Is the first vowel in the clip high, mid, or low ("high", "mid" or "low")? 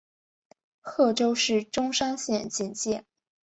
mid